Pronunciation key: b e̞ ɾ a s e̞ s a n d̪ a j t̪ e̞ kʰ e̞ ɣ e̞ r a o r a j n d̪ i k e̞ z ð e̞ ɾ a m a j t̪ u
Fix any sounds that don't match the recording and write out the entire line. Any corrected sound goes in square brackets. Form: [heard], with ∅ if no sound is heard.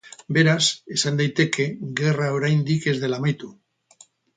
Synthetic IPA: b e̞ ɾ a s e̞ s a n d̪ a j t̪ e̞ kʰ e̞ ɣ e̞ r a o [ɾ] a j n d̪ i k e̞ z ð e̞ [l] a m a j t̪ u